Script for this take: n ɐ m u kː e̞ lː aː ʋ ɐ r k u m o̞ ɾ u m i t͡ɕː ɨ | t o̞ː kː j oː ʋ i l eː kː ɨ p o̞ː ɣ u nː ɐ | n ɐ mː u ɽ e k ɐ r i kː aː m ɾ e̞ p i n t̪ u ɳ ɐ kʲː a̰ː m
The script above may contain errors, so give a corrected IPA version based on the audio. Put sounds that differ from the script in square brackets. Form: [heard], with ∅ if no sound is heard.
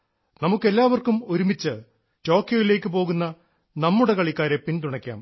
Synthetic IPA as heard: n ɐ m u kː e̞ lː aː ʋ ɐ r k u m o̞ ɾ u m i t͡ɕː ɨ | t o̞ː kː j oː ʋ i l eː kː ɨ p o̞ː ɣ u nː ɐ | n ɐ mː u ɽ e k ɐ [ɭ] i kː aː [∅] ɾ e̞ p i n t̪ u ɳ ɐ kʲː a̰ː m